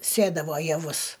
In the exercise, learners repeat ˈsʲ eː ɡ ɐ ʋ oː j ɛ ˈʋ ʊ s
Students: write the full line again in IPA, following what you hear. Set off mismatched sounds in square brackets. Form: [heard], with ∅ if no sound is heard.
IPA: ˈsʲ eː [d] ɐ ʋ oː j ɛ ˈʋ ʊ s